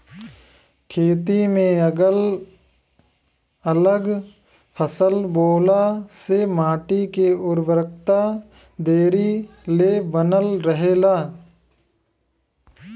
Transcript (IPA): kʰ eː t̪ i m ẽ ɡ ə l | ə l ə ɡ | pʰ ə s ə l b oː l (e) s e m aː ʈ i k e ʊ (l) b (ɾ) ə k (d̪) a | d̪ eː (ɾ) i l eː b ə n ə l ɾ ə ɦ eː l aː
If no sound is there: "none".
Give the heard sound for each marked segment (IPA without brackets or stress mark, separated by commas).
a, ɾ, ɾ, t̪, ɾ